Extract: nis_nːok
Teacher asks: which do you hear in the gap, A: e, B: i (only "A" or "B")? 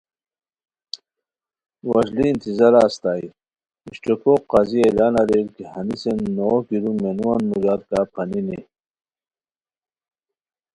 A